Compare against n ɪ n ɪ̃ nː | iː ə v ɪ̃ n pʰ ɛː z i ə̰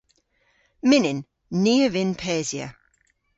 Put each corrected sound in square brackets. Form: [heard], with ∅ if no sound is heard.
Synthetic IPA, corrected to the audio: [m] ɪ n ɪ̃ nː | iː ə v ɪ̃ n pʰ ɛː z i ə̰

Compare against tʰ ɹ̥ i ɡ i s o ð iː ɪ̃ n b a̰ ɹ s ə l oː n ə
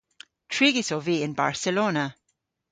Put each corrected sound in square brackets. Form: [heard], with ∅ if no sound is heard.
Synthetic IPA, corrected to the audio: tʰ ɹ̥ i ɡ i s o [v] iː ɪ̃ n b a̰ ɹ s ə l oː n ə

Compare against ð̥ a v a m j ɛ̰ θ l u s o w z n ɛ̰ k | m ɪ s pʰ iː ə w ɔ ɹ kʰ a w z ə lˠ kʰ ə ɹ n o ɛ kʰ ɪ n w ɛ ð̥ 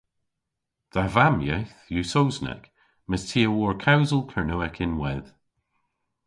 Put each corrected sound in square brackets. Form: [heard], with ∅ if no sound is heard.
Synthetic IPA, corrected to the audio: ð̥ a v a m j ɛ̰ θ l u s o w z n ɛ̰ k | m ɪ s [tʰ] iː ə w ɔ ɹ kʰ a w z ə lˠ kʰ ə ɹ n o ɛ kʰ ɪ n w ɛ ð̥

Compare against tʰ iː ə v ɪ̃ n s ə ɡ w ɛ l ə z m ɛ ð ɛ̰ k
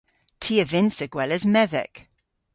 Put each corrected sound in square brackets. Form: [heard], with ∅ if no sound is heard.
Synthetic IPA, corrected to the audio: tʰ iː ə v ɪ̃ n s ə ɡ w ɛ l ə z m ɛ ð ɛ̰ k

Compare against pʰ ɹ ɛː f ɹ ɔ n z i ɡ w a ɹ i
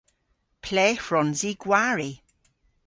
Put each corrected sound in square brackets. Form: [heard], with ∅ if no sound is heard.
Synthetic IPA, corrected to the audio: pʰ [l] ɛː f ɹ ɔ n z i ɡ w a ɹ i

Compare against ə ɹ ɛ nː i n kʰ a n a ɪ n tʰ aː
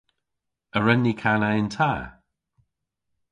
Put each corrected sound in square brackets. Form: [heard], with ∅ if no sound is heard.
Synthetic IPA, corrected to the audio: ə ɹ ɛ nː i [∅] kʰ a n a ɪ n tʰ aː

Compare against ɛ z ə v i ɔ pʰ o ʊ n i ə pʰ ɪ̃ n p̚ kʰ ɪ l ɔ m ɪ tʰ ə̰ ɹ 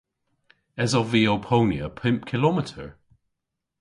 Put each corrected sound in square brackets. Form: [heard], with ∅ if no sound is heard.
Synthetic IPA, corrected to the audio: ɛ z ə v i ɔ pʰ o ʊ n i ə pʰ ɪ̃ [m] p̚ kʰ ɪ l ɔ m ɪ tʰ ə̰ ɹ

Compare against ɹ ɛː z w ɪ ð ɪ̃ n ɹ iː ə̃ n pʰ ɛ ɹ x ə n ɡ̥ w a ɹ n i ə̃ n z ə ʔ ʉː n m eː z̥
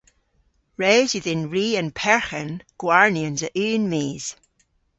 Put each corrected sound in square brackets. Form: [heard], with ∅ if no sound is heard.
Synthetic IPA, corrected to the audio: ɹ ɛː z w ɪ ð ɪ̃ n ɹ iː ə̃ n pʰ ɛ ɹ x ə n ɡ̥ w a ɹ n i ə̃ n z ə ʔ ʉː n m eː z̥

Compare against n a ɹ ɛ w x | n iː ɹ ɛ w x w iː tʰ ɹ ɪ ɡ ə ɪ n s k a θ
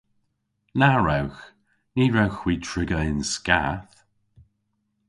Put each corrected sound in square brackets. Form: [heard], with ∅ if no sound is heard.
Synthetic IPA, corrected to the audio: n a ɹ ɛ w x | n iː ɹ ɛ w x w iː tʰ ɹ ɪ ɡ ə ɪ n s k a θ

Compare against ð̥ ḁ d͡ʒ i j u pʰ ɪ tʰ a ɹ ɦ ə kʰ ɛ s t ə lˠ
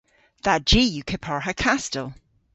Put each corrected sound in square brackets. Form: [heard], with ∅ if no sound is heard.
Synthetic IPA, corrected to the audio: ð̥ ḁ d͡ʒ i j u [kʰ] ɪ [pʰ] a ɹ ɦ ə kʰ [a] s t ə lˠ

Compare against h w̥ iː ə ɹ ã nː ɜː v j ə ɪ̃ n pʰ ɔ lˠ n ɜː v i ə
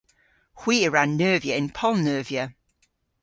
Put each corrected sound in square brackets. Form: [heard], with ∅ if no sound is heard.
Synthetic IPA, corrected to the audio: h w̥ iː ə ɹ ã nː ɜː v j ə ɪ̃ n pʰ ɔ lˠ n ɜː v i ə

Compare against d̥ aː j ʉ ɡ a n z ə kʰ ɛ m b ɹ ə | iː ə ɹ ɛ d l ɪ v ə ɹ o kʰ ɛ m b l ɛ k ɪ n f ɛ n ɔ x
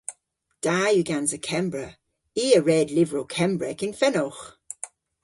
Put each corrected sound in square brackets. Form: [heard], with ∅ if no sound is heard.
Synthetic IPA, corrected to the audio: d̥ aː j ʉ ɡ a n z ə kʰ ɛ m b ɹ ə | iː ə ɹ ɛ d l ɪ v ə ɹ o kʰ ɛ m b [ɹ] ɛ k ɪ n f ɛ n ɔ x

